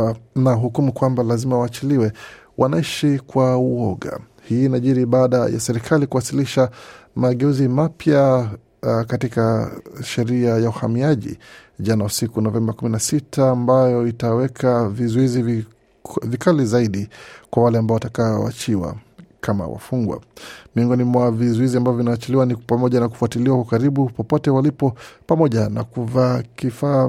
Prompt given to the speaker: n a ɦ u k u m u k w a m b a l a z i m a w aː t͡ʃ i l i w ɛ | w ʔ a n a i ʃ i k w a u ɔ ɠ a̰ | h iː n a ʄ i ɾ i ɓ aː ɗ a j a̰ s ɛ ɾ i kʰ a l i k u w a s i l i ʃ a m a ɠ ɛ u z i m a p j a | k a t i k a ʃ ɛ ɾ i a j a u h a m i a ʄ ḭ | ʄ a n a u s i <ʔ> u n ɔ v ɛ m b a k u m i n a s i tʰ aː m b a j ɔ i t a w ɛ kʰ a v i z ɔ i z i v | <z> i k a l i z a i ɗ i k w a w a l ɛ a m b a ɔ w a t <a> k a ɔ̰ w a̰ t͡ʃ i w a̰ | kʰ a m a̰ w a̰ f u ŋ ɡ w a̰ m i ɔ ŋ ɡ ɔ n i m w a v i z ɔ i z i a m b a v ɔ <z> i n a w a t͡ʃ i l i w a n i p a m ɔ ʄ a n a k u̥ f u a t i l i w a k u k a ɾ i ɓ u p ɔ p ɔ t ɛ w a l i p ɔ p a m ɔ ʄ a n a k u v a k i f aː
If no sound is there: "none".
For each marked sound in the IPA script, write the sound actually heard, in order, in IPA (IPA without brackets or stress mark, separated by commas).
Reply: k, v, a, v